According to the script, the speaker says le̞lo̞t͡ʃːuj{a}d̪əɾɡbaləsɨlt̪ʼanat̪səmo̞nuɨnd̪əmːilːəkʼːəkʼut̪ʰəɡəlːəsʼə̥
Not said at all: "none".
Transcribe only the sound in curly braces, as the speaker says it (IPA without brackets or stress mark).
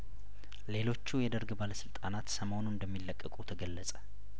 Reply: ɛ